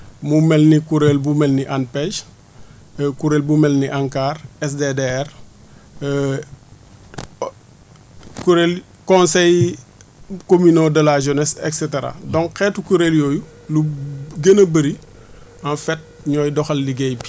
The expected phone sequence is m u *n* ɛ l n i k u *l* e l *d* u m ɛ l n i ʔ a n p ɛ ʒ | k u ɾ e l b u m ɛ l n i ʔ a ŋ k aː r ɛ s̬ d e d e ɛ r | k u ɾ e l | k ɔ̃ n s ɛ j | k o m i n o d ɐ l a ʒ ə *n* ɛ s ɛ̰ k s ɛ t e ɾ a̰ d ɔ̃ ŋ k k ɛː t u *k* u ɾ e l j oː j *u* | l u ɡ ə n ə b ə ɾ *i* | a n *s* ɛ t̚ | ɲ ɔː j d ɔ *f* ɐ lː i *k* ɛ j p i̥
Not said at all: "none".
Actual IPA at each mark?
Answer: m, ɾ, b, n, k, u, i, f, x, ɡ

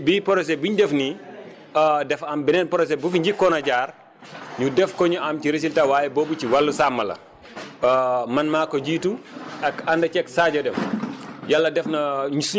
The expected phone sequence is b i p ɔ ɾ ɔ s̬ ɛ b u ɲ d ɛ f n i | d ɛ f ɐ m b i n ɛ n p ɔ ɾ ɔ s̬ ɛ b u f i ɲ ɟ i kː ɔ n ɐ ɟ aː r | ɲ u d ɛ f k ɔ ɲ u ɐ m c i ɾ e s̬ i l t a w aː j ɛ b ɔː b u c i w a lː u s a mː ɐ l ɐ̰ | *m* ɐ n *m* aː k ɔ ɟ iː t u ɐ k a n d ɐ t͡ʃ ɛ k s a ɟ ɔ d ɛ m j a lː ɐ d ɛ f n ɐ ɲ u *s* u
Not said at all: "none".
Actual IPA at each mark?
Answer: m, m, s

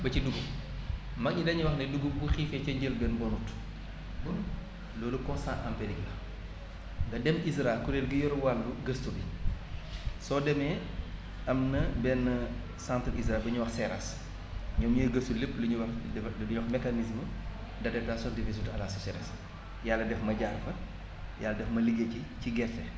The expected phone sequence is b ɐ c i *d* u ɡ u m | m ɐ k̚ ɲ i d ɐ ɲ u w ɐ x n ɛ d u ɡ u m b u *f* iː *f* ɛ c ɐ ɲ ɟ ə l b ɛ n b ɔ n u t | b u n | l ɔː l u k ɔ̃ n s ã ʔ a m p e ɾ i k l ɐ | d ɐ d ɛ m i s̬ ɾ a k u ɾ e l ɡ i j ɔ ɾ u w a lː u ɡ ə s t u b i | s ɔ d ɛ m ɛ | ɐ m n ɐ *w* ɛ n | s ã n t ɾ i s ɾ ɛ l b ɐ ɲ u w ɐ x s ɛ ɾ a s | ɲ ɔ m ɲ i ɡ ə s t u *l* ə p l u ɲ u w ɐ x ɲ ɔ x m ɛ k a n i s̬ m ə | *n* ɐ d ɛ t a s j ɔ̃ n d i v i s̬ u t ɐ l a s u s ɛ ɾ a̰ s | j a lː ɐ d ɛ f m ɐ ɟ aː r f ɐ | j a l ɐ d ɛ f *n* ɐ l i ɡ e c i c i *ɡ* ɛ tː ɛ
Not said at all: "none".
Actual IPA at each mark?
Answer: d, x, f, b, l, d, m, ɡ

